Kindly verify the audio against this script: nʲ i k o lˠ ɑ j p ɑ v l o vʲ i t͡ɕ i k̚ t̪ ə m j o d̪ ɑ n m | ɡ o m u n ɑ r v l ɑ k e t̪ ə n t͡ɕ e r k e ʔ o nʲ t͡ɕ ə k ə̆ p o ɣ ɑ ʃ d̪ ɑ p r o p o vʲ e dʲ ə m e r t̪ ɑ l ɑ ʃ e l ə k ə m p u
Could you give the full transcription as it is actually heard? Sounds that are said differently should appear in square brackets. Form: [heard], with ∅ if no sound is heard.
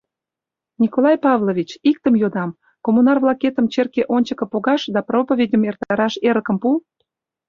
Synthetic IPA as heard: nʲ i k o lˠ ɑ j p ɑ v l o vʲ i t͡ɕ i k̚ t̪ ə m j o d̪ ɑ [∅] m | [k] o m u n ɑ r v l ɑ k e t̪ ə [m] t͡ɕ e r k e ʔ o nʲ t͡ɕ ə k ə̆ p o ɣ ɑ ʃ d̪ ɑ p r o p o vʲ e dʲ ə m e r t̪ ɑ [ɾ] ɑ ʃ e [ɾ] ə k ə m p u